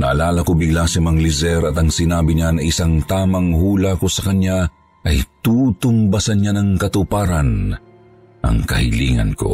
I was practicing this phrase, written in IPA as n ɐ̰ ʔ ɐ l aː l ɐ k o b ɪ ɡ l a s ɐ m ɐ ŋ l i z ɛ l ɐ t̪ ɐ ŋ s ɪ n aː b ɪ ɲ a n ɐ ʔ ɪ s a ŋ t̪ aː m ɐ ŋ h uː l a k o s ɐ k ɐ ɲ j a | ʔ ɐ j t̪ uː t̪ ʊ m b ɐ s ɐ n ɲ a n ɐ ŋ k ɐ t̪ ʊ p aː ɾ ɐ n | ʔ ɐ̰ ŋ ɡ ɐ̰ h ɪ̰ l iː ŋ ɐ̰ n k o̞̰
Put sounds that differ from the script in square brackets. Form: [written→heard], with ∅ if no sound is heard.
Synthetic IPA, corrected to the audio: n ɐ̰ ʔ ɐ l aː l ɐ k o b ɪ ɡ l a s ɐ m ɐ ŋ l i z ɛ [l→ɾ] ɐ t̪ ɐ ŋ s ɪ n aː b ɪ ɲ a n ɐ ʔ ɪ s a ŋ t̪ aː m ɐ ŋ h uː l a k o s ɐ k ɐ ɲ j a | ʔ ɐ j t̪ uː t̪ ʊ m b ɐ s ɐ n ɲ a n ɐ ŋ k ɐ t̪ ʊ p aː ɾ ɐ n | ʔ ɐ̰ ŋ [ɡ→k] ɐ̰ h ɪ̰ l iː ŋ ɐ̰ n k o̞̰